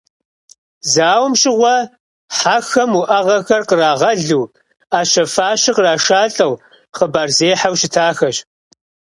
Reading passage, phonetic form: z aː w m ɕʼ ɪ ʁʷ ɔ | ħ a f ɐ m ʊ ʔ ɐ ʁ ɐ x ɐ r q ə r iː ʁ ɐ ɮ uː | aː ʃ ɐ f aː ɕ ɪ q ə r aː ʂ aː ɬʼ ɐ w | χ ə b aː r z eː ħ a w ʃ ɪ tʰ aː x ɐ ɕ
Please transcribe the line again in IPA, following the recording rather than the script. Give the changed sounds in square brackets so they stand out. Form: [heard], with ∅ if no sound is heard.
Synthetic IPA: z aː w m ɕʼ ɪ ʁʷ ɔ | ħ a [x] ɐ m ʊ ʔ ɐ ʁ ɐ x ɐ r q ə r [aː] ʁ ɐ ɮ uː | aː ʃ ɐ f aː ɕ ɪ q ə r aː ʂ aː ɬʼ ɐ w | χ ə b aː r z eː ħ a w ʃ ɪ tʰ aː x ɐ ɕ